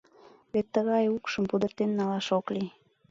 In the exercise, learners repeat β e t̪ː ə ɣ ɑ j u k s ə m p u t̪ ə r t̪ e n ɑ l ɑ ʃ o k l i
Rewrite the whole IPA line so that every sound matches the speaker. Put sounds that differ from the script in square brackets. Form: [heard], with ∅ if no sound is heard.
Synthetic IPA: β e t̪ː ə ɣ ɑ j u k [ʃ] ə m p u [d̪] ə r t̪ e [nː] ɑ l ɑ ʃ o k l i